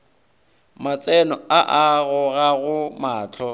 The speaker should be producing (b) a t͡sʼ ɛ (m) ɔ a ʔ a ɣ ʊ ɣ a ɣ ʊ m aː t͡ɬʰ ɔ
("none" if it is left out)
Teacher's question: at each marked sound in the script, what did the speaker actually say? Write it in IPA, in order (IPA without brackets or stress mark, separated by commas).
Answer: m, n